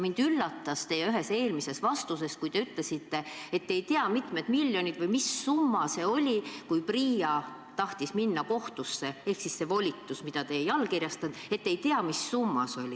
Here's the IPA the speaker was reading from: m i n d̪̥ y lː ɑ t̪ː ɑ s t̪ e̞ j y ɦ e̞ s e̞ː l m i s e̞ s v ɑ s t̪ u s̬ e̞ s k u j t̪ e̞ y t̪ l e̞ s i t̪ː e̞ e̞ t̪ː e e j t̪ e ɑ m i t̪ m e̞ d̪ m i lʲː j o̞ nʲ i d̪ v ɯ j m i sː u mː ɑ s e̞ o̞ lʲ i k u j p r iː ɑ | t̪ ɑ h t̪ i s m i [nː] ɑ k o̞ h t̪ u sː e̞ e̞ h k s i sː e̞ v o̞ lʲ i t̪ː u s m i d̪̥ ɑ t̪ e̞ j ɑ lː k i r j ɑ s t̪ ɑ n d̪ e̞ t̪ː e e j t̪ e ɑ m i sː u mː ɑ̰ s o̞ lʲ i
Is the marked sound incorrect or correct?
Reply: correct